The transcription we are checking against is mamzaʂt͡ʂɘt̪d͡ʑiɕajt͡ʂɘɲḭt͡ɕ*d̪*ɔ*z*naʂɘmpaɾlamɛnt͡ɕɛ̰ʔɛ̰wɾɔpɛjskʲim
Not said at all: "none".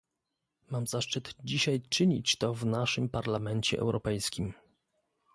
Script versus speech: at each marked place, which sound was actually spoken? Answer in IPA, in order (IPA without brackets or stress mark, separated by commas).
t̪, v